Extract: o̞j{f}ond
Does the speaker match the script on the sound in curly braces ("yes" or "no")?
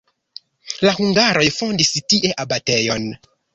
yes